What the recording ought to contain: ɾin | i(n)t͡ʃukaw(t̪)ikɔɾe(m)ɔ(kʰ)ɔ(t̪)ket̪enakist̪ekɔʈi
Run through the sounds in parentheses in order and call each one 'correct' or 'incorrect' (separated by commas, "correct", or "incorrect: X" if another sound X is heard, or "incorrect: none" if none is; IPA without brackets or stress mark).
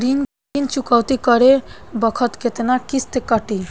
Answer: correct, correct, incorrect: b, correct, correct